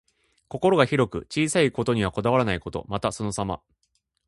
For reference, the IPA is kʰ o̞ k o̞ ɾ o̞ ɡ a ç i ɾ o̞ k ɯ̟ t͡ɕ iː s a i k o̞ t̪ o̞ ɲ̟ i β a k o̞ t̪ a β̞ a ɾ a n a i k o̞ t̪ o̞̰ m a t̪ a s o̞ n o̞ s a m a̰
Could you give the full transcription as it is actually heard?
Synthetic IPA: k o̞ k o̞ ɾ o̞ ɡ a ç i ɾ o̞ k ɯ̟ t͡ɕ iː s a i k o̞ t̪ o̞ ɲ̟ i β a k o̞ d̪ a β̞ a ɾ a n a i k o̞ t̪ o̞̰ m a t̪ a s o̞ n o̞ s a m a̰